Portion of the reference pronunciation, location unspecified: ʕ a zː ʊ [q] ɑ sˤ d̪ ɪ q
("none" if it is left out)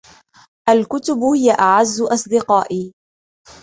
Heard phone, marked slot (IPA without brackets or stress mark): ʔ